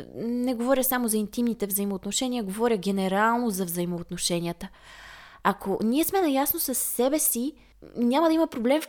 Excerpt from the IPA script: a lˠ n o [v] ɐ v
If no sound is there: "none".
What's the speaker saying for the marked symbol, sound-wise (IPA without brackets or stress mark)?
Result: z